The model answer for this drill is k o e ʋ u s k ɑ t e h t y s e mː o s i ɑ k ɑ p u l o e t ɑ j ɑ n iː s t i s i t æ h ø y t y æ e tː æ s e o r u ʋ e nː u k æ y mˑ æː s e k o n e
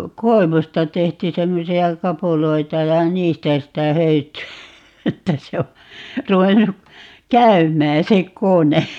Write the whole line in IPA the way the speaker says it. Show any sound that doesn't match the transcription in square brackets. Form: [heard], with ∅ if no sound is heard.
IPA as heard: k o e ʋ u s [t] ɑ t e h t y s e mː o s i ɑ k ɑ p u l o [i] t ɑ j ɑ n iː s t [æ] s i t æ h ø y t y æ e tː æ s e o r u ʋ e nː u k æ y mˑ æː s e k o n e